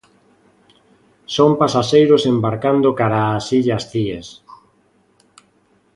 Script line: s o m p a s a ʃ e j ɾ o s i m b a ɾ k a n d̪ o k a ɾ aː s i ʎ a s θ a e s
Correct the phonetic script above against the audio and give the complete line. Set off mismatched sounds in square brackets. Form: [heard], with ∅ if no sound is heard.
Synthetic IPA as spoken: s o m p a s a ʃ e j ɾ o s [e] m b a ɾ k a n d̪ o k a ɾ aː s i ʎ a s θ [i] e s